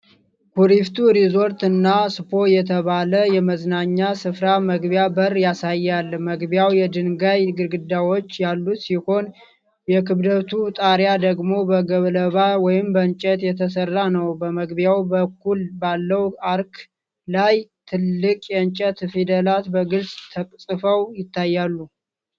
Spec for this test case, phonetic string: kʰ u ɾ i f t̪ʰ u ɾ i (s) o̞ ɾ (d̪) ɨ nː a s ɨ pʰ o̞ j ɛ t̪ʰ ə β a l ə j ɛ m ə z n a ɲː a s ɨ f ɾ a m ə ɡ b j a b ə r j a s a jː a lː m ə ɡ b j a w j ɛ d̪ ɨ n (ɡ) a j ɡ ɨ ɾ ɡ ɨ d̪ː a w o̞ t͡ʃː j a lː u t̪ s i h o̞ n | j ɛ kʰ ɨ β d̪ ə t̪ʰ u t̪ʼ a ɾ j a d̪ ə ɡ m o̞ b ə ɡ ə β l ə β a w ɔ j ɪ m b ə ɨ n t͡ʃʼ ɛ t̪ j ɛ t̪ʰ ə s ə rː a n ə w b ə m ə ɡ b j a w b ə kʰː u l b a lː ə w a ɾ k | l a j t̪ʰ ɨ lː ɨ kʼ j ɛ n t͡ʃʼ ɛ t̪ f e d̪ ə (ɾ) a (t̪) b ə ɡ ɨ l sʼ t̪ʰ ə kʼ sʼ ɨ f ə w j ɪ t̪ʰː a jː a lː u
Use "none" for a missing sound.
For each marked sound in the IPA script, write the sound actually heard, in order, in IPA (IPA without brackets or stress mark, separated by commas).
z, t̪, ɡ, l, t̪